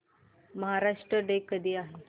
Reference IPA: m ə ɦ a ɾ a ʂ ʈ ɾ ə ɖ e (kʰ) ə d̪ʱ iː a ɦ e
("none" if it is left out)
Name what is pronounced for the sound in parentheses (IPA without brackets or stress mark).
k